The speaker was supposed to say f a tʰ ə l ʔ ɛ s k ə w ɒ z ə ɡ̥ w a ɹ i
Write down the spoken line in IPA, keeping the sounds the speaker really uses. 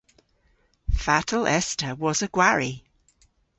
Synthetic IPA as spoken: f a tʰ ə l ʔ ɛ s t ə w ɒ z ə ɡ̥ w a ɹ i